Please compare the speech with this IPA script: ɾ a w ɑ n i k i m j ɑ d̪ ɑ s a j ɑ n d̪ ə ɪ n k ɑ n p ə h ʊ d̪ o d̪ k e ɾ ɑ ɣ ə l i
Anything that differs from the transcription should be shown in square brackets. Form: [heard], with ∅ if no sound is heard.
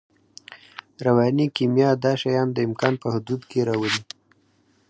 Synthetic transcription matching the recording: ɾ a w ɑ n i k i m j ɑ d̪ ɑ [ʃ] a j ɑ n d̪ ə ɪ [m] k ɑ n p ə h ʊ d̪ [u] d̪ k e ɾ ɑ [w] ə l i

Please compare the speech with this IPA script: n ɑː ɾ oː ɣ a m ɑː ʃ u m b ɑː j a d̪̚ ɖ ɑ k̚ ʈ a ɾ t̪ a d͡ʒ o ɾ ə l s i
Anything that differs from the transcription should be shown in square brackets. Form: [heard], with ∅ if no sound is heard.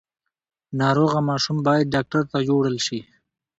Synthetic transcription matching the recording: n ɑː ɾ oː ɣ a m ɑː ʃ u m b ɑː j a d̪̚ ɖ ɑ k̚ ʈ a ɾ t̪ a d͡ʒ o [ɽ] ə l [ʃ] i

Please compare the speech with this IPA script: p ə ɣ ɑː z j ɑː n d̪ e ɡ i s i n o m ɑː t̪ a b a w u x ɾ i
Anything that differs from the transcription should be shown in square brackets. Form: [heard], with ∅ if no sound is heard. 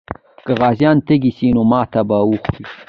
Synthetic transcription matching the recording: [k] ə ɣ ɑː z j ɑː n [t̪] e ɡ i s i n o m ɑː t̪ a b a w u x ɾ i

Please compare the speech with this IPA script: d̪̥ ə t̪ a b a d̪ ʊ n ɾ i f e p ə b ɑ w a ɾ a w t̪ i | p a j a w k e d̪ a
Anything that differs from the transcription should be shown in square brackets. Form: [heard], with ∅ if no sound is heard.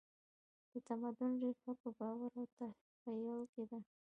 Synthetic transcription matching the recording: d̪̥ ə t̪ a [m] a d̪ ʊ n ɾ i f [a] p ə b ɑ w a ɾ a w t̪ [a] | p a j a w k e d̪ a

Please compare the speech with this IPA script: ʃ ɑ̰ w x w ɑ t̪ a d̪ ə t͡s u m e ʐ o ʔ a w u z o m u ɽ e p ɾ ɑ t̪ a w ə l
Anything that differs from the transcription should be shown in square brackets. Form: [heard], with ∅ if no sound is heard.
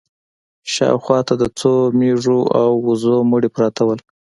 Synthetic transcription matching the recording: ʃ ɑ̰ w x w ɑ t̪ a d̪ ə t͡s [o] m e ʐ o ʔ a w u z o m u ɽ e p ɾ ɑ t̪ a w ə l

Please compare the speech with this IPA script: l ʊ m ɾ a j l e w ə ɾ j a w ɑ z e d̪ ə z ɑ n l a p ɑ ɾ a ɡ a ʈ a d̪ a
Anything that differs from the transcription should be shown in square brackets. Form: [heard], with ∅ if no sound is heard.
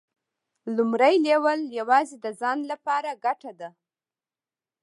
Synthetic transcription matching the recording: l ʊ m ɾ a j l e w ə [l] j a w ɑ z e d̪ ə z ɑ n l a p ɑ ɾ a ɡ a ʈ a d̪ a

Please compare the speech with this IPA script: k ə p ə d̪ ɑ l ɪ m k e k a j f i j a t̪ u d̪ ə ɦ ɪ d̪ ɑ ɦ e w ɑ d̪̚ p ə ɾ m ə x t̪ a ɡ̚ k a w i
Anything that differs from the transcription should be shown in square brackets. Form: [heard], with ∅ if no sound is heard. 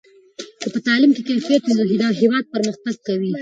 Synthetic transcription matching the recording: k ə p ə [t̪] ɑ l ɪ m k e k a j f i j a t̪ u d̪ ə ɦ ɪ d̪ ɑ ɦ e w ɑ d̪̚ p ə ɾ m ə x t̪ a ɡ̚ k a w i

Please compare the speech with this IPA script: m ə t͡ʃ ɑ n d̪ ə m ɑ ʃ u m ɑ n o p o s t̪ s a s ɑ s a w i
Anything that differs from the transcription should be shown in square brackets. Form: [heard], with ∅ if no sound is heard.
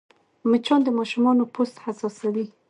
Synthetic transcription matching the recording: m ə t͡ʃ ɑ n d̪ ə m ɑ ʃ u m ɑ n o p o s t̪ [h] a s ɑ s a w i

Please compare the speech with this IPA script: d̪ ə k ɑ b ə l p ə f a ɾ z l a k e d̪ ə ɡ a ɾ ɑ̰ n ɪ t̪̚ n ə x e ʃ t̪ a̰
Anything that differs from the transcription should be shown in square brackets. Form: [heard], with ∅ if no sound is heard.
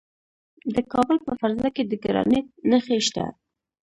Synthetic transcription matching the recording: d̪ ə k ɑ b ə l p ə f a ɾ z l a k e d̪ ə ɡ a ɾ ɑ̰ n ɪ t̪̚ n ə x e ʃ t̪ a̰

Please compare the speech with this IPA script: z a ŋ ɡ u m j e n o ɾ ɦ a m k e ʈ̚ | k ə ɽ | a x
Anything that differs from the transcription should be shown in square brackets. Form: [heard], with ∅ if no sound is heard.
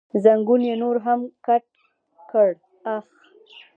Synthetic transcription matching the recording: z a ŋ ɡ u [n] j e n o ɾ ɦ a m k [a] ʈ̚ | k ə ɽ | a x

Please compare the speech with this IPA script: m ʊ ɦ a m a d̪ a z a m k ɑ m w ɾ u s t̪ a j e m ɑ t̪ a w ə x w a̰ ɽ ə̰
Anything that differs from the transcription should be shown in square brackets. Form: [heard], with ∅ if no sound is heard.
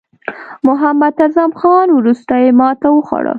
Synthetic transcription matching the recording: m ʊ ɦ a m a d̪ a z a m [x] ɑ [n] w ɾ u s t̪ a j e m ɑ t̪ a w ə x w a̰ ɽ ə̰

